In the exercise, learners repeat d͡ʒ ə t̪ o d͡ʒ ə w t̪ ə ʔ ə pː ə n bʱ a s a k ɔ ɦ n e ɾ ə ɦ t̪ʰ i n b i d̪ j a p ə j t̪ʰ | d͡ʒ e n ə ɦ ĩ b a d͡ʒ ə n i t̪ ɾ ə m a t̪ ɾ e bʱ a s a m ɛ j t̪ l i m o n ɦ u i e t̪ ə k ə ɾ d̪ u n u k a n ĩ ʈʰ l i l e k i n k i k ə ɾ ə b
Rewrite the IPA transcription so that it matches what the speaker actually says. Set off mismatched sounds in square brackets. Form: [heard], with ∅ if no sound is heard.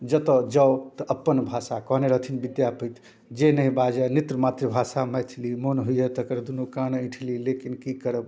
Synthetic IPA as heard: d͡ʒ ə t̪ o d͡ʒ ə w t̪ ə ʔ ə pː ə n bʱ a s a k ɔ ɦ n e ɾ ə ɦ t̪ʰ i n b i d̪ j a p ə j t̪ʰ | d͡ʒ e n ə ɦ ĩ b a d͡ʒ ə n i t̪ ɾ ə m a t̪ ɾ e bʱ a s a m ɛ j [t̪ʰ] l i m o n ɦ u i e t̪ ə k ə ɾ d̪ u n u k a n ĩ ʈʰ l i l e k i n k i k ə ɾ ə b